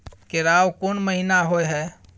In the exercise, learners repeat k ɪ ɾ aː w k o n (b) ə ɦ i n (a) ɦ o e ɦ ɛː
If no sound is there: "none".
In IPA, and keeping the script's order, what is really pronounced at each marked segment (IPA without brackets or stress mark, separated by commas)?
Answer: m, a